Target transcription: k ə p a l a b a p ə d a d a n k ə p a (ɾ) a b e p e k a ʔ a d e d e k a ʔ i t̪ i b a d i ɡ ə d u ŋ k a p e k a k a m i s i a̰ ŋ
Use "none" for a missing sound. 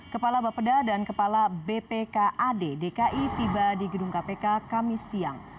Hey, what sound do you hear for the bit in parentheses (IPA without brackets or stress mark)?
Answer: l